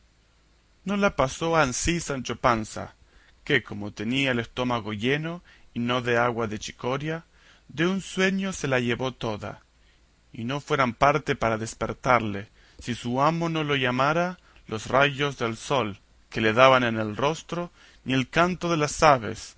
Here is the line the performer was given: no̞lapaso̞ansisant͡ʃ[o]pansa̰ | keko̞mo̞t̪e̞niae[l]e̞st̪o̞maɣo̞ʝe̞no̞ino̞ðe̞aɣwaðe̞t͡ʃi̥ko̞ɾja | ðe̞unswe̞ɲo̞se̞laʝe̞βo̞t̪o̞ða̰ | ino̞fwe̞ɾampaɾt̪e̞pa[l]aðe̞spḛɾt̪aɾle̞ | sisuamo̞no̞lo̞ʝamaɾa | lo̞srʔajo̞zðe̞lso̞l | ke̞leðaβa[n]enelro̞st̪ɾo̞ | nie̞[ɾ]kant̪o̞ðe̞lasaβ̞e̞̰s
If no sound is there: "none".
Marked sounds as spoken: o, l, ɾ, n, l

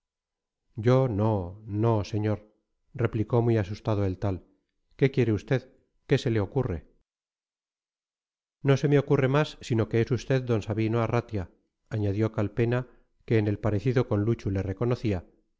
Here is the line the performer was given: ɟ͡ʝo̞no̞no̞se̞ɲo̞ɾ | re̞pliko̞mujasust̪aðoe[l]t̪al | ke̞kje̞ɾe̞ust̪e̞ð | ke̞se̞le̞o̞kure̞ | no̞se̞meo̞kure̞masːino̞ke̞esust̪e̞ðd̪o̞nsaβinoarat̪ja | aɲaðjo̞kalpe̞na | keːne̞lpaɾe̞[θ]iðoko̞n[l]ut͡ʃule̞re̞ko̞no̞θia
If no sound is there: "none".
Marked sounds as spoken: l, θ, l

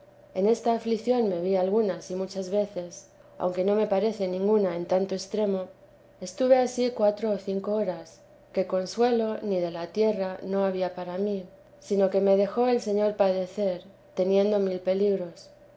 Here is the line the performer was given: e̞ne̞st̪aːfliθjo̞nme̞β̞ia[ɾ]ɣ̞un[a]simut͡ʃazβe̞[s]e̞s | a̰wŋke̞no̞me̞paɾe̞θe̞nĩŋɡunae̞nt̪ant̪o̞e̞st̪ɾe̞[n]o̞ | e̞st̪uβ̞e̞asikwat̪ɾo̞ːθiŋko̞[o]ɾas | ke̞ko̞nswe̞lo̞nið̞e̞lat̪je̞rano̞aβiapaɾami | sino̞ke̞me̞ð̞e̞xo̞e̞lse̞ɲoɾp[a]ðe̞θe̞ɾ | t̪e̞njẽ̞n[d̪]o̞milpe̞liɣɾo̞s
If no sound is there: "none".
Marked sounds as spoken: l, a, θ, m, o, a, d̪

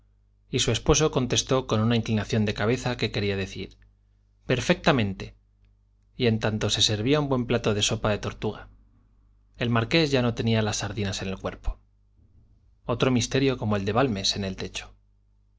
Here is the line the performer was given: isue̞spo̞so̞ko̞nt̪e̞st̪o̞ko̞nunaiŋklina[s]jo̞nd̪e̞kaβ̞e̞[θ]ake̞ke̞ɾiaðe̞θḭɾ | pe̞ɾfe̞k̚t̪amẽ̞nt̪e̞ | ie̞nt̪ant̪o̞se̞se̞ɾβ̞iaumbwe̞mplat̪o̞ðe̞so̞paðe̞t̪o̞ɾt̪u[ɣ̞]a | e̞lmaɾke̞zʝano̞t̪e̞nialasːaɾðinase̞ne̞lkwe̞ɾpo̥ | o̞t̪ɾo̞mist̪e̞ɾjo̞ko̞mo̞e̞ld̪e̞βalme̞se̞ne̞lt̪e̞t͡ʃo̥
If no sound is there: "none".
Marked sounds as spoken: θ, θ, ɣ̞

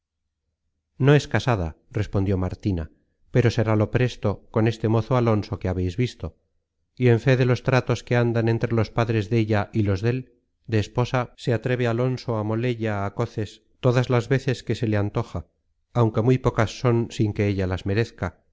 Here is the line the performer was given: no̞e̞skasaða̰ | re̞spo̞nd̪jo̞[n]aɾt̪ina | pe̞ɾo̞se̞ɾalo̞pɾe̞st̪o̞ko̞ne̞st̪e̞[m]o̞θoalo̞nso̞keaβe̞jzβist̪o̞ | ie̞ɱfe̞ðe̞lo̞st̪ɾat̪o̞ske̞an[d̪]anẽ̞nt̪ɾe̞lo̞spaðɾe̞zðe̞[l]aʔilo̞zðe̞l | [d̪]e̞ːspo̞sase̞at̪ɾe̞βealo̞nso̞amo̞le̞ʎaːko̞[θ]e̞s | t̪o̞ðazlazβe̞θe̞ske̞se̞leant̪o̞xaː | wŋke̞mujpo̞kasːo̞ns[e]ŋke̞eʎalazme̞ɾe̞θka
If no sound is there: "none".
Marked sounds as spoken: m, m, d̪, ʎ, d̪, θ, i

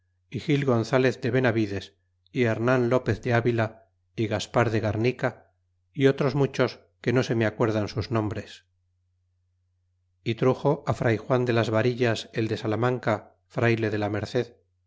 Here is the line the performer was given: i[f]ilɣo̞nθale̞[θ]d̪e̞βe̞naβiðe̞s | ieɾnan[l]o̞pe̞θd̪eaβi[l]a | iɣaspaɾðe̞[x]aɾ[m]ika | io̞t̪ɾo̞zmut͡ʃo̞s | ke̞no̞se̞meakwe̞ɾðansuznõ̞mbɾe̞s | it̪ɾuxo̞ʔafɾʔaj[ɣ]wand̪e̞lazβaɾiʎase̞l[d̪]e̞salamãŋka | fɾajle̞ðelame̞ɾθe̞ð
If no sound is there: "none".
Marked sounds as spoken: x, θ, l, l, ɣ, n, x, d̪

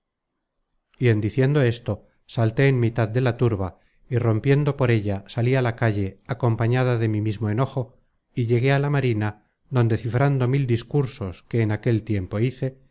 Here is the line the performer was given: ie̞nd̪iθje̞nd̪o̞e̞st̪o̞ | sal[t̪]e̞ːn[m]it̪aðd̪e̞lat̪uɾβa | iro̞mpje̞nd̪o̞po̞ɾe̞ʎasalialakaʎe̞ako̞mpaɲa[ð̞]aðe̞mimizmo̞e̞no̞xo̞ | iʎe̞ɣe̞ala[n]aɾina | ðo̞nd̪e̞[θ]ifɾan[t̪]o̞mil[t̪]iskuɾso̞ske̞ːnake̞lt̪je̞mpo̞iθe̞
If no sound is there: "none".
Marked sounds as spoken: t̪, m, ð̞, m, θ, d̪, d̪

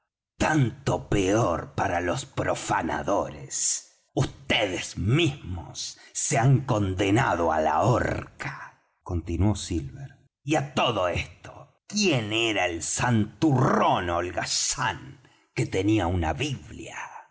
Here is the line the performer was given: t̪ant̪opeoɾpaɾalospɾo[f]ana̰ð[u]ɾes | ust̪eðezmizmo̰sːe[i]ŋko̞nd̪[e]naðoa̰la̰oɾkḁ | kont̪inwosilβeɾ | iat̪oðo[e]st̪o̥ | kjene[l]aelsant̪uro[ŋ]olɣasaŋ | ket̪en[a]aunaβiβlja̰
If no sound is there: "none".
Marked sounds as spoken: f, o, a, e, e, ɾ, n, i

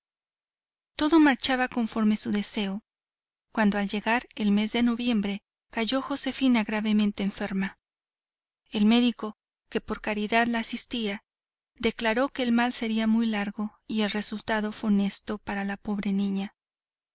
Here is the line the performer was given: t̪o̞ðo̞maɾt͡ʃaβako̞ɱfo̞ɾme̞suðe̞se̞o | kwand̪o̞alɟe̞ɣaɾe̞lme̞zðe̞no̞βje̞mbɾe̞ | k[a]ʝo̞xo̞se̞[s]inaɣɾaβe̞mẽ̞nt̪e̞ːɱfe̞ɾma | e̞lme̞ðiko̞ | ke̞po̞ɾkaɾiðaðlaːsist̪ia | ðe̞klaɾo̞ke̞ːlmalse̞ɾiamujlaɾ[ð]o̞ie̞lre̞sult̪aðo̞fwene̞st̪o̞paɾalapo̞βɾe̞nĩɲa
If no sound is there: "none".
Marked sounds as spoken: a, f, ɣ

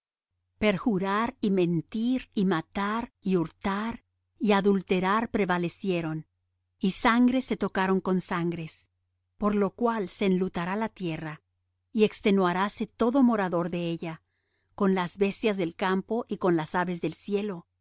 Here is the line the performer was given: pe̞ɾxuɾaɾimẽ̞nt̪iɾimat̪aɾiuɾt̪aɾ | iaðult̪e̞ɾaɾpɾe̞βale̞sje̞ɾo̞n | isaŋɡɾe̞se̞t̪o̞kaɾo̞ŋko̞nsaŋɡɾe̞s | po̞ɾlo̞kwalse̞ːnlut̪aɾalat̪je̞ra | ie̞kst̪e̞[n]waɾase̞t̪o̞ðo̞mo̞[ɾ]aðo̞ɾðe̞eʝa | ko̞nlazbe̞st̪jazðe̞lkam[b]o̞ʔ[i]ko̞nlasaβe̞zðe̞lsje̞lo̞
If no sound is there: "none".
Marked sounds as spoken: n, ɾ, p, i

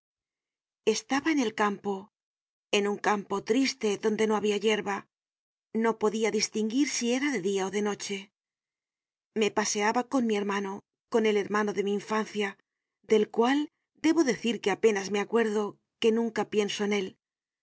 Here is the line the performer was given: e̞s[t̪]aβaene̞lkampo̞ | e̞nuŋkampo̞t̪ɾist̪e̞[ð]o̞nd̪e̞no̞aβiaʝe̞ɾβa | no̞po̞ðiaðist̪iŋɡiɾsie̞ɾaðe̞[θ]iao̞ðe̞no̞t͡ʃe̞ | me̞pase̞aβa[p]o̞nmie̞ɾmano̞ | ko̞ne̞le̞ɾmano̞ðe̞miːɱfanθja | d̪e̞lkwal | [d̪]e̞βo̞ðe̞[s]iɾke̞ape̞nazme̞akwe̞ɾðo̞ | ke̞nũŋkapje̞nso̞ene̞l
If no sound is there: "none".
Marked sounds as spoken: t̪, ð, ð, k, d̪, θ

